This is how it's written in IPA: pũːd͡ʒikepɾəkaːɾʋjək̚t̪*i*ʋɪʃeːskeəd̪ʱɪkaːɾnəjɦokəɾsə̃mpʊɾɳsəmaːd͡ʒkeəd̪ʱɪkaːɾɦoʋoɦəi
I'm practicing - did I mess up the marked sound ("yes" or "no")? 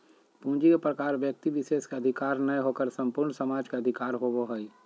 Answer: no